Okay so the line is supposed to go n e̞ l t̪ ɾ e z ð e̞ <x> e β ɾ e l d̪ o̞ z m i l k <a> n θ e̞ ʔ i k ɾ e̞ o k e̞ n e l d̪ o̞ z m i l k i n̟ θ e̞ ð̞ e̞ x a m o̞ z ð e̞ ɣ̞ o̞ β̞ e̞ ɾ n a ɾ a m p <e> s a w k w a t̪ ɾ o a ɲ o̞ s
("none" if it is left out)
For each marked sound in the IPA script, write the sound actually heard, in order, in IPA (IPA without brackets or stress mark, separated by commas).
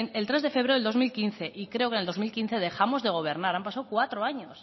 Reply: f, i, a